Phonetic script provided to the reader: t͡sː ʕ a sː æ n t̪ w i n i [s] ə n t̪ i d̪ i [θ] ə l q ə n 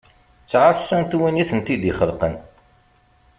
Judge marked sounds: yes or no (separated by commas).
no, no